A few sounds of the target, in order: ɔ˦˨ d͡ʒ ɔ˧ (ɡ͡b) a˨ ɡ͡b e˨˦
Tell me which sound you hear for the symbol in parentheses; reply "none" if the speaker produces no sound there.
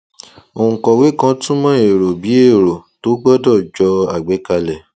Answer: none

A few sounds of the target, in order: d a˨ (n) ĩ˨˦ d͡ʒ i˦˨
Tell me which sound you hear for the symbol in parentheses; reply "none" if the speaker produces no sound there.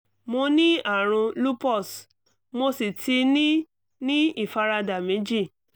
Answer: m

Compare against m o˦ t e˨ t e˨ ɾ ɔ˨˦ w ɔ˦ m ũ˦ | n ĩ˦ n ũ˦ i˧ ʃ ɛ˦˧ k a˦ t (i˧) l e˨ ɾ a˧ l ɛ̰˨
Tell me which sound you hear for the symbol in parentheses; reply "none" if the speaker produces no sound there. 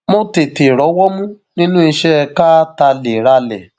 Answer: a˧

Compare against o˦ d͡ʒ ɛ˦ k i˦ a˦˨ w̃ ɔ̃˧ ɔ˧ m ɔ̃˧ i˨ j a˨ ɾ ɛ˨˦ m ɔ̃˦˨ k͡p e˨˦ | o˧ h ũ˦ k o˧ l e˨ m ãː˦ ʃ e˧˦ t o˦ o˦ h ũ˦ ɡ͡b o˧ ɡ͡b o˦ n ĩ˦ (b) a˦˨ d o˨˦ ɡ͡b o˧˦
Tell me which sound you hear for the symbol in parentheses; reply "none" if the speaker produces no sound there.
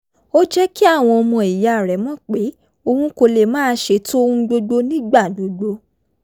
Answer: ɡ͡b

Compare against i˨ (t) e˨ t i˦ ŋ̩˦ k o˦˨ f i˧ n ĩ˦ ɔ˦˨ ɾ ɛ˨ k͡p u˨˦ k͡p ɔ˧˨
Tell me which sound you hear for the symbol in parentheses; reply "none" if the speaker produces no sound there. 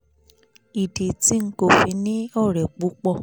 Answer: d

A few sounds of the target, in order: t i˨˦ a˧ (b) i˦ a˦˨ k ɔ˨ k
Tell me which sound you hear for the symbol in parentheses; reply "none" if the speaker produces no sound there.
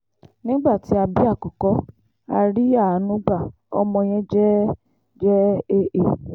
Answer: b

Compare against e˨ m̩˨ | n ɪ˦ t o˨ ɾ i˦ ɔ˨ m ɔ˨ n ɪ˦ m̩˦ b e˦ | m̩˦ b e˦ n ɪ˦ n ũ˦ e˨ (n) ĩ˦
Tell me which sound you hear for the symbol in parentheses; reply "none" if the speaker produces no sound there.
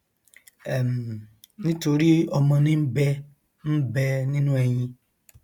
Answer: ɲ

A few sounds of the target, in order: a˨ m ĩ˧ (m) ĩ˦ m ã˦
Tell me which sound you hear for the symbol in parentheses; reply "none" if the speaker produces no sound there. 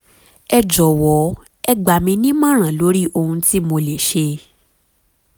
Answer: n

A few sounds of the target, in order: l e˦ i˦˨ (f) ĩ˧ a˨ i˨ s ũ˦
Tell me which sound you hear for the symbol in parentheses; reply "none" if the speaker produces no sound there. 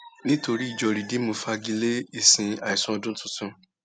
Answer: s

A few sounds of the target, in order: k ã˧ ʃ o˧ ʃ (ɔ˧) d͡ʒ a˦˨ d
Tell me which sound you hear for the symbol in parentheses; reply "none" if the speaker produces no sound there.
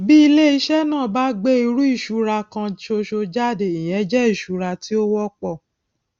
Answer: o˧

